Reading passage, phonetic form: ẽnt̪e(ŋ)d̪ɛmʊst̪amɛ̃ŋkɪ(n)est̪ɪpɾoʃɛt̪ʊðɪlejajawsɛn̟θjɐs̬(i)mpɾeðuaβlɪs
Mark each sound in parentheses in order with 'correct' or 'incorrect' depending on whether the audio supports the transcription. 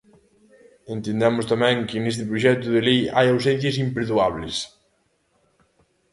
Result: incorrect: n, correct, correct

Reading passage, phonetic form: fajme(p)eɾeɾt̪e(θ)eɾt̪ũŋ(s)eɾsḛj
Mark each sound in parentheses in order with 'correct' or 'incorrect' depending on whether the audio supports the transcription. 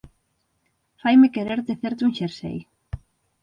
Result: incorrect: k, correct, incorrect: ʃ

